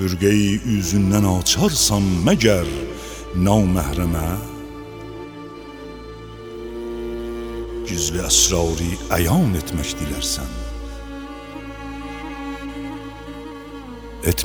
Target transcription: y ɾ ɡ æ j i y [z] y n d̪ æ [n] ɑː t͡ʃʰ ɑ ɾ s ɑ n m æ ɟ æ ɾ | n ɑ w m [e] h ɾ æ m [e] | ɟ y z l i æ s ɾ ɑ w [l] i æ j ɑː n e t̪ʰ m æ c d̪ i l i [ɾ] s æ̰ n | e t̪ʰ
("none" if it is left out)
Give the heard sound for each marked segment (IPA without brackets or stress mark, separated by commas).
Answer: z, n, æ, æ, ɾ, ɾ